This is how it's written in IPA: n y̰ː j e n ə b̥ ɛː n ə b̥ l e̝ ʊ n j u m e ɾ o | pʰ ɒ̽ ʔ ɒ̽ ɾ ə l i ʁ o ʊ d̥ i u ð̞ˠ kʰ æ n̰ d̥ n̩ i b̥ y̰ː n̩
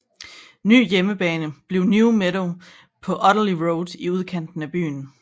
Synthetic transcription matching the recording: n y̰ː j e m ə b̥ ɛː n ə b̥ l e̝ ʊ n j u m e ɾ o | pʰ ɒ̽ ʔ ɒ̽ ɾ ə l i ʁ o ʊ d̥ i u ð̞ˠ kʰ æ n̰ d̥ n̩ æ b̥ y̰ː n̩